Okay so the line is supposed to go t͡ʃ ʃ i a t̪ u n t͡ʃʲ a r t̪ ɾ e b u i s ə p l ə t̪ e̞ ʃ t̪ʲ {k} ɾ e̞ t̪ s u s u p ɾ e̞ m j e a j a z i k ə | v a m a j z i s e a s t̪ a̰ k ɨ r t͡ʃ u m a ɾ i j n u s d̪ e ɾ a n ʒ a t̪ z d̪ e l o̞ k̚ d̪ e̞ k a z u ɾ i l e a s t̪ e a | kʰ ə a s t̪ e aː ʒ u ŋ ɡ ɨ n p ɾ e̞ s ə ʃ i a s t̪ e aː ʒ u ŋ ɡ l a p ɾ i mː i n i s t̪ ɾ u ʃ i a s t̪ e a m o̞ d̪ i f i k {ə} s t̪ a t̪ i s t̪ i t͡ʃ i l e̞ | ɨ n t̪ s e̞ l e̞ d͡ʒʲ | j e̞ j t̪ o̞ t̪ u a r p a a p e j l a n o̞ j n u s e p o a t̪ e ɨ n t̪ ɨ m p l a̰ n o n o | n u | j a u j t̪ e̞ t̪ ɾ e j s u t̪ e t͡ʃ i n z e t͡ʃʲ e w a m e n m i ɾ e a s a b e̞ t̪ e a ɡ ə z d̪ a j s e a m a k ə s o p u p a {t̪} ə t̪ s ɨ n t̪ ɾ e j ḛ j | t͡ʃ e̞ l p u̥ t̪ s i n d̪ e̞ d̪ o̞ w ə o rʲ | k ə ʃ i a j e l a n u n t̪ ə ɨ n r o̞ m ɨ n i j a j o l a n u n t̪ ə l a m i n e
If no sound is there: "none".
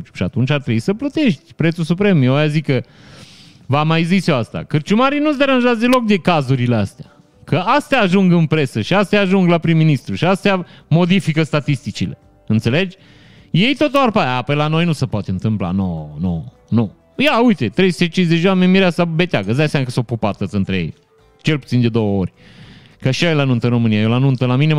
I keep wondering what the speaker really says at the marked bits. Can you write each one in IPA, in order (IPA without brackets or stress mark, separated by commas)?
p, ə, t̪